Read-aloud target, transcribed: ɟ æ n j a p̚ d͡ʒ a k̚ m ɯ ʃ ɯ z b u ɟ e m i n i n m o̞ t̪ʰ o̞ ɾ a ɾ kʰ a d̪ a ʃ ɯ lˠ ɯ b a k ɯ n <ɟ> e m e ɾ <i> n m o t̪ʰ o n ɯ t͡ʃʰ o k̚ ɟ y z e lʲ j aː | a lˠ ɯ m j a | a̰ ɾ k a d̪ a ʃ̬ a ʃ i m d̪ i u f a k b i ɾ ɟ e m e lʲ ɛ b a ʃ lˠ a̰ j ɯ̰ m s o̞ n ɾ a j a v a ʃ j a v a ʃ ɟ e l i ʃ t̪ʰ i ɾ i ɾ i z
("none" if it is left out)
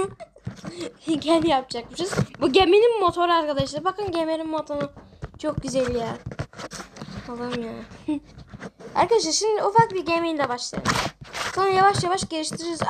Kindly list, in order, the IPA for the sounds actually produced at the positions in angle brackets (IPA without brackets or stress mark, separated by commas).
ɟ, i